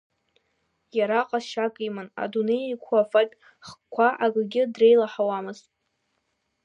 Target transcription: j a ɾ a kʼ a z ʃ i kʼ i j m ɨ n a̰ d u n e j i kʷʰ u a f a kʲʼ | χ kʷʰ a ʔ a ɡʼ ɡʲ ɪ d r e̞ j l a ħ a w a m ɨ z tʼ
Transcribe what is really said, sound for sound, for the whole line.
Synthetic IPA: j a ɾ a qʼ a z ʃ a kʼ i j m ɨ n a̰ d u n e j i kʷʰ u a f a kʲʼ | χ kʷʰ a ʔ a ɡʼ ɡʲ ɪ d r e̞ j l a ħ a w a m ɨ z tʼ